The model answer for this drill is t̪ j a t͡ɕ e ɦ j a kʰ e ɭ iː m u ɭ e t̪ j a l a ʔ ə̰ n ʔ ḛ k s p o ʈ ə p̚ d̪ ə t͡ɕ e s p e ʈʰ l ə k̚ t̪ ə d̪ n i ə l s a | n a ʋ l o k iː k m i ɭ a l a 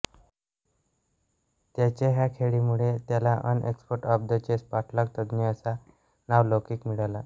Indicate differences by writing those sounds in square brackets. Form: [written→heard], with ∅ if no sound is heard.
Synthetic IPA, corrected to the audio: t̪ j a t͡ɕ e ɦ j a kʰ e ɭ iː m u ɭ e t̪ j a l a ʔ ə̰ n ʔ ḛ k s p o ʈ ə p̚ d̪ ə t͡ɕ e s p [e→a] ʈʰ l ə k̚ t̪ ə d̪ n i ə [l→∅] s a | n a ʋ l o k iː k m i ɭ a l a